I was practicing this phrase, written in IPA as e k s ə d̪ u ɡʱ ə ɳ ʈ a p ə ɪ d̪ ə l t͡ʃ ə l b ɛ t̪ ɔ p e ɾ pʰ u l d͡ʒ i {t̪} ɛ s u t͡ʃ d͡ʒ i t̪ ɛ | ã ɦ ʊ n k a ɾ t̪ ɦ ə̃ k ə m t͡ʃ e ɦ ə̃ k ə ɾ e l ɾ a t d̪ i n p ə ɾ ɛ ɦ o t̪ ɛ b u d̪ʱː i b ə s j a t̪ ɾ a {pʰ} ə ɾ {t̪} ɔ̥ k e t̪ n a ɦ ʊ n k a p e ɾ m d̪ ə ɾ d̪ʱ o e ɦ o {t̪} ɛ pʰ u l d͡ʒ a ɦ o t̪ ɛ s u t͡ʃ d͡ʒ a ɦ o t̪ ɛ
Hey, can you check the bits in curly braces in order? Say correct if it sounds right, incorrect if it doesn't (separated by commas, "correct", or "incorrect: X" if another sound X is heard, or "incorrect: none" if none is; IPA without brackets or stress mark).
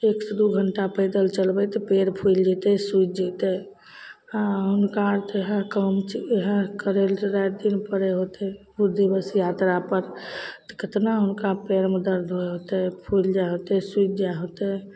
correct, incorrect: p, correct, correct